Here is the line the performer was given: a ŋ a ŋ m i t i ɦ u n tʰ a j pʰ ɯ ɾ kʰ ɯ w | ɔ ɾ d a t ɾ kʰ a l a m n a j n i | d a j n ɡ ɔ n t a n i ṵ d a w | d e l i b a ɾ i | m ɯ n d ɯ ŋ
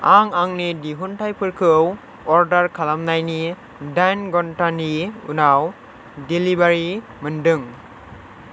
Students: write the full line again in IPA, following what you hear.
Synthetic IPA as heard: a ŋ a ŋ n i d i ɦ u n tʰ a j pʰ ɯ ɾ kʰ ɯ w | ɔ ɾ d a ɾ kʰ a l a m n a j n i | d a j n ɡ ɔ n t a n i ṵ n a w | d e l i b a ɾ i | m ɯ n d ɯ ŋ